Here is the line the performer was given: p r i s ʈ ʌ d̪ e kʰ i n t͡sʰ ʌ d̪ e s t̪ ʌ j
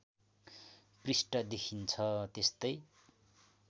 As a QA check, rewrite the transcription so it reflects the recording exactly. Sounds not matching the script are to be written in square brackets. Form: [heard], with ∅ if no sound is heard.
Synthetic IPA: p r i s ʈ ʌ d̪ e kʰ i n t͡sʰ ʌ [t̪] e s t̪ ʌ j